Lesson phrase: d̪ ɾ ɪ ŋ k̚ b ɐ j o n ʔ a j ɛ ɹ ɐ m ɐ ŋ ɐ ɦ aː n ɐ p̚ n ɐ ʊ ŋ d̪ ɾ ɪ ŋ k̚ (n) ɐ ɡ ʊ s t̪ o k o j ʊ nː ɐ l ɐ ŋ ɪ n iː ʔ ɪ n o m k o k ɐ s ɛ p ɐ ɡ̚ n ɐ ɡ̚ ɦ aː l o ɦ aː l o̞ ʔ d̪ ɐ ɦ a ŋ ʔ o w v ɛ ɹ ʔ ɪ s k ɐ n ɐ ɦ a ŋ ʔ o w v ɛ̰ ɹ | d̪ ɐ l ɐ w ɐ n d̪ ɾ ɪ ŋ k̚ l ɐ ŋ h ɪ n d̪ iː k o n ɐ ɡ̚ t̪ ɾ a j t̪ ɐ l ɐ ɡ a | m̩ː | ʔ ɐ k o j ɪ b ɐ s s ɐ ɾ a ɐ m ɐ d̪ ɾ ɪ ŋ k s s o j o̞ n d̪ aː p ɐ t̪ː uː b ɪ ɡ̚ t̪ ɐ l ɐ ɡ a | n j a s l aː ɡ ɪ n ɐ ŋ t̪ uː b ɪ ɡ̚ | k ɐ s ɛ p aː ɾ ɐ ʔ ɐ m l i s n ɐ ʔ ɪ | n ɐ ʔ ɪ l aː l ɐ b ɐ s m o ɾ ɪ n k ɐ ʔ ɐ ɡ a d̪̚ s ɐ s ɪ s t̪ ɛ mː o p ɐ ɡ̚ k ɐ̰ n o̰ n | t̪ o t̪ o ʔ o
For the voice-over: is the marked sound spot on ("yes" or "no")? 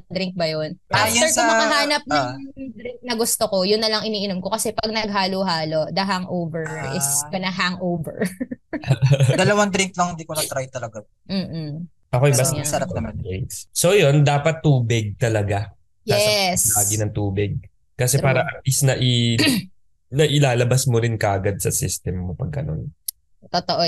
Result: yes